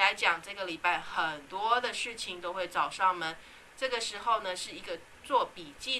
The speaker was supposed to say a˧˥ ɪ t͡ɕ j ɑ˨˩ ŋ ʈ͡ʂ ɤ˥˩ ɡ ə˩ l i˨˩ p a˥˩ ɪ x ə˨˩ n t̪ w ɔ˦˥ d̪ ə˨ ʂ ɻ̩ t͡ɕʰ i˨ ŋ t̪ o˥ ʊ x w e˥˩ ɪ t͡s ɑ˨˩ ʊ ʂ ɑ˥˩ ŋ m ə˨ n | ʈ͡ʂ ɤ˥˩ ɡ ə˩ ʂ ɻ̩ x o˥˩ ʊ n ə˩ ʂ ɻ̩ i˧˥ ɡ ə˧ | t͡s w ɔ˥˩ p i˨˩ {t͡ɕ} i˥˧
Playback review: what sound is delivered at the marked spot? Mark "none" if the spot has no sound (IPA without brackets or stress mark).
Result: t͡ɕ